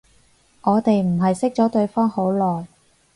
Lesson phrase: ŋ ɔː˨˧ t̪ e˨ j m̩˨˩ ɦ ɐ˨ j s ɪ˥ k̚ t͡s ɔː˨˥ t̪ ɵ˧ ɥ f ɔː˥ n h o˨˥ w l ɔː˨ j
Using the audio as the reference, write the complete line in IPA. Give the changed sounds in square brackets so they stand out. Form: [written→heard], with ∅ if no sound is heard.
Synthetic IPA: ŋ ɔː˨˧ t̪ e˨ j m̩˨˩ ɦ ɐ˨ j s ɪ˥ k̚ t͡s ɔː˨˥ t̪ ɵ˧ ɥ f ɔː˥ [n→ŋ] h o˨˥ w l ɔː˨ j

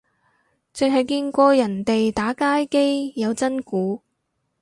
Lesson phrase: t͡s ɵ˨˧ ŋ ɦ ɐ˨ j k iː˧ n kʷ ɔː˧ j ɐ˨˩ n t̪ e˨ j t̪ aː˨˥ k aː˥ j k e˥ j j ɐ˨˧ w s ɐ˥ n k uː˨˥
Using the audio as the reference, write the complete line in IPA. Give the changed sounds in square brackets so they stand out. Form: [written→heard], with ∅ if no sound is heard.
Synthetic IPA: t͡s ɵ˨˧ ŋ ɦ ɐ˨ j k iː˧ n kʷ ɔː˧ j ɐ˨˩ n t̪ e˨ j t̪ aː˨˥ k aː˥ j k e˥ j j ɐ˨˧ w [s→t͡s] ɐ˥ n k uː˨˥

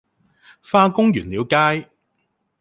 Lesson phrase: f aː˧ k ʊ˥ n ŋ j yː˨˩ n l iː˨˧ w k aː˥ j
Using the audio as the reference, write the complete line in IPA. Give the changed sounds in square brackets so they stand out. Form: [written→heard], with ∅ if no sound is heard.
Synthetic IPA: f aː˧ k ʊ˥ [n→∅] ŋ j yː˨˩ n l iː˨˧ w k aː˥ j

